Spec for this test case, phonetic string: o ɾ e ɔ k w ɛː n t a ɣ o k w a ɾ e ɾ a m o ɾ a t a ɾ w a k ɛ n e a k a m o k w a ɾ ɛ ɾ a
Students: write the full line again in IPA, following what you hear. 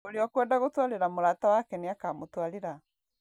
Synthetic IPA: o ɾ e ɔ k w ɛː n d a ɣ o t w a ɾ e ɾ a m o ɾ a t a w a k ɛ n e a k a m o t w a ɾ e ɾ a